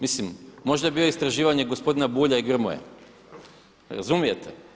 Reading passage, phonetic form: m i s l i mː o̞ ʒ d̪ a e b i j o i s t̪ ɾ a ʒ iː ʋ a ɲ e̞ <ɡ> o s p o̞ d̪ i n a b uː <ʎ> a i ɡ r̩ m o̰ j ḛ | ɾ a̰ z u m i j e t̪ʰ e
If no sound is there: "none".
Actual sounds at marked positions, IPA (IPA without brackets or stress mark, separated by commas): ɡ, ʎ